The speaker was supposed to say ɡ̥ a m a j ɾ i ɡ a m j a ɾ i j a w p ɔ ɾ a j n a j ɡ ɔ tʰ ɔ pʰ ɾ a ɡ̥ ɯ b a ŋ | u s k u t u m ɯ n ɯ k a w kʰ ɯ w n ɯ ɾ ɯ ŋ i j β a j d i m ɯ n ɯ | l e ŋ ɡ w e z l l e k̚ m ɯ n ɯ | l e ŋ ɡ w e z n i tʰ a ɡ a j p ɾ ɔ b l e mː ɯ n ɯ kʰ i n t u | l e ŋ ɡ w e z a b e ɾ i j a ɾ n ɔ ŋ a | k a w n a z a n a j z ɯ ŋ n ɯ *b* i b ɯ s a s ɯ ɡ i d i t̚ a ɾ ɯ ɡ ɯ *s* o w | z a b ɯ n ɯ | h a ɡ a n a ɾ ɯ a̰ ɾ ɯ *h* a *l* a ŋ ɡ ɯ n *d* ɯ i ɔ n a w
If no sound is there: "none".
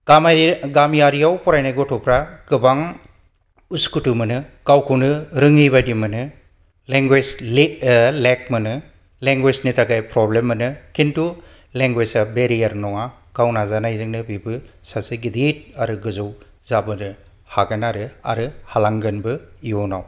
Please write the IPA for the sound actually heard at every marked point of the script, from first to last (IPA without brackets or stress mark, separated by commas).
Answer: b, z, h, l, b